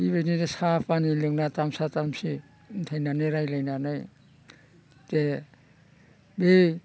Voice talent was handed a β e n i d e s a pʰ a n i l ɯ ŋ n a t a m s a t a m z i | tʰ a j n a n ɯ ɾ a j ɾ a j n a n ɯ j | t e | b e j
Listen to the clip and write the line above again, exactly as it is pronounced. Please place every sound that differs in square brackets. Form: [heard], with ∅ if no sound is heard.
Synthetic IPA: [i] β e n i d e s a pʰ a n i l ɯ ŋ n a t a m s a t a m [s] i | tʰ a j n a n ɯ ɾ a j [l] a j n a n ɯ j | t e | b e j